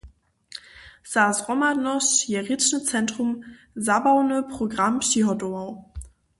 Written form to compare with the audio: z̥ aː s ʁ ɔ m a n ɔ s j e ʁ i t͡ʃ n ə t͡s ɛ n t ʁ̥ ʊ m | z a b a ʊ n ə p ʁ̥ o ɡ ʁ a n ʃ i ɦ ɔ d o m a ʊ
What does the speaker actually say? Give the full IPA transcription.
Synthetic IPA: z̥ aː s ʁ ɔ m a n ɔ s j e ʁ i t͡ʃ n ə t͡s ɛ n t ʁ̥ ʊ m | z a b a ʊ n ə p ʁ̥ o ɡ ʁ a m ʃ i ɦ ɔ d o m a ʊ